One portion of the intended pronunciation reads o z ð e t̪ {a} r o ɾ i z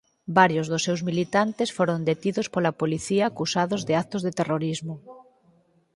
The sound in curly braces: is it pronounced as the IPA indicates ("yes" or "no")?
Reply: no